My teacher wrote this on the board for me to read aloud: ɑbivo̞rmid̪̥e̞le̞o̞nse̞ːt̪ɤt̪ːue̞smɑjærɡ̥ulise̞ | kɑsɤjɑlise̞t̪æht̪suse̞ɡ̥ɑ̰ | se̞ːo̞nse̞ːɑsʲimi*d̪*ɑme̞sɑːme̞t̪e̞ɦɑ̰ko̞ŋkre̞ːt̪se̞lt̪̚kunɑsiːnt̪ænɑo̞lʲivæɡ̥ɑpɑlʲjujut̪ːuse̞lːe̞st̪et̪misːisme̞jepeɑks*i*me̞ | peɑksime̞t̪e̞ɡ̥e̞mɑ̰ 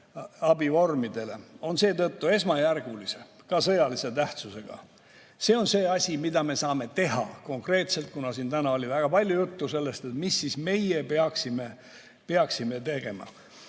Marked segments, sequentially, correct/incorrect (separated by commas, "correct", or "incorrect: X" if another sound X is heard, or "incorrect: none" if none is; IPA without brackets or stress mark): correct, correct